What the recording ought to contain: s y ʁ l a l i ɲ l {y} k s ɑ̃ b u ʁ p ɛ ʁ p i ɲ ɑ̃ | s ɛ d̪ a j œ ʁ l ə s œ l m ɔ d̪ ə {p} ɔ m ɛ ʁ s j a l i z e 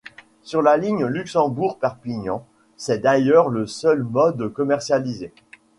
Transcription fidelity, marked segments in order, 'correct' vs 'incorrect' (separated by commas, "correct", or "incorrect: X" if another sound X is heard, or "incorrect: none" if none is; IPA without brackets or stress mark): correct, incorrect: k